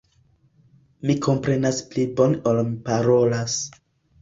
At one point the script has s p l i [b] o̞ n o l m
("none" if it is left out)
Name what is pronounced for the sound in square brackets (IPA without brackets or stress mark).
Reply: b